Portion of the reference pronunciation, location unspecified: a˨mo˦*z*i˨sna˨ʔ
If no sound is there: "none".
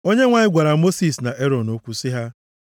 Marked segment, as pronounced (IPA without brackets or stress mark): s